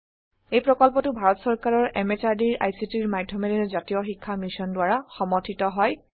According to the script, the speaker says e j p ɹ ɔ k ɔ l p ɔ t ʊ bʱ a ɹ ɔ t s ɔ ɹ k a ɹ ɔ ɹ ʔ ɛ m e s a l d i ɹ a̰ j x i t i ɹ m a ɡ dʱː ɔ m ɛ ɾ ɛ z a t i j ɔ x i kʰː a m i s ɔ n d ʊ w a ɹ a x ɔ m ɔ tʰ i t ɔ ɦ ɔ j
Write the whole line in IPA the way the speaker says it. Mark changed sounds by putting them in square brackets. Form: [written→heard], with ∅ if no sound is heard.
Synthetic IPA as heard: e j p ɹ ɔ k ɔ l p ɔ t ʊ bʱ a ɹ ɔ t s ɔ ɹ k a ɹ ɔ ɹ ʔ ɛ m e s a [l→ɹ] d i ɹ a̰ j [x→s] i t i ɹ m a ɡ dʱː ɔ m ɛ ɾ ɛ z a t i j ɔ x i kʰː a m i s ɔ n d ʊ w a ɹ a x ɔ m ɔ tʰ i t ɔ ɦ ɔ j